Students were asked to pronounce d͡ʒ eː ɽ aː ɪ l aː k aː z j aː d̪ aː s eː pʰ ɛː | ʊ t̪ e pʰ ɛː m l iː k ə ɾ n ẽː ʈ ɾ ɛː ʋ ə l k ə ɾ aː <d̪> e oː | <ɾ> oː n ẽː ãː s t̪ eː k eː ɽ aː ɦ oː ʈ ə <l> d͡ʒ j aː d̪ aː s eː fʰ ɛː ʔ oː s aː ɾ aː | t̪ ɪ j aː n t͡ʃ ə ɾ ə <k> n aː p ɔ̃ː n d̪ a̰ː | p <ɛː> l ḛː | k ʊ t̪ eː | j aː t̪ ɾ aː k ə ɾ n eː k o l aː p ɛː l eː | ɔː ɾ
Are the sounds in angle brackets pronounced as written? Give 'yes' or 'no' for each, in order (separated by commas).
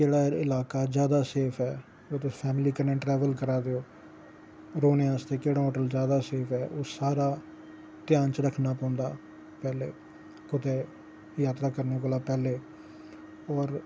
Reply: yes, yes, yes, no, yes